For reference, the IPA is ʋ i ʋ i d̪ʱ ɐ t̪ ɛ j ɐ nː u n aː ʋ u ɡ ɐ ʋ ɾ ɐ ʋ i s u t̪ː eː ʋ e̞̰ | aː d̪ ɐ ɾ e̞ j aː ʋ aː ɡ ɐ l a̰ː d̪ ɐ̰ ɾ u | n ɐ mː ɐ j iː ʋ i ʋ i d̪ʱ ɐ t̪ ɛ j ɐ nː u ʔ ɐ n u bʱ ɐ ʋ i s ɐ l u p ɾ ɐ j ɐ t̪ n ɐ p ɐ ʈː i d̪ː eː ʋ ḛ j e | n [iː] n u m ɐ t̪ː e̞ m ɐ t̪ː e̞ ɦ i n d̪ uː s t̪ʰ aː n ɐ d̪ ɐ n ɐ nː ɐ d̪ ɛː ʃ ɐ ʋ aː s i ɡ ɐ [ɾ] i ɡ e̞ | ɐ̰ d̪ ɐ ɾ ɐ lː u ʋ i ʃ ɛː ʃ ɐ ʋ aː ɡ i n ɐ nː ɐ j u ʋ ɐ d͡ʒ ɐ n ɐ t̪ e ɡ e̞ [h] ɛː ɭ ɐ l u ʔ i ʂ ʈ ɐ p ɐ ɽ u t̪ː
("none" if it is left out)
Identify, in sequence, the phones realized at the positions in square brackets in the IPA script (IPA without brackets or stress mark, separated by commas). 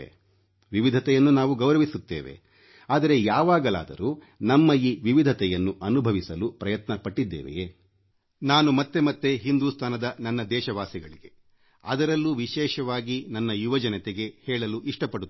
aː, ɭ, h